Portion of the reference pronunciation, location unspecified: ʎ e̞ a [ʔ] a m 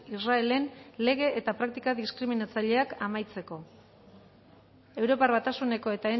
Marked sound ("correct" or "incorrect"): incorrect